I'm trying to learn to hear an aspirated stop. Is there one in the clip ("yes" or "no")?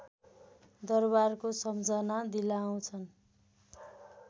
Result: yes